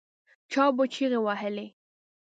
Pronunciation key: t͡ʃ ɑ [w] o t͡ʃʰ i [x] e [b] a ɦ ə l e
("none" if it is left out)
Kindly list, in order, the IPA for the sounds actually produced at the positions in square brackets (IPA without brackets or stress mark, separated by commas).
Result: b, ɣ, w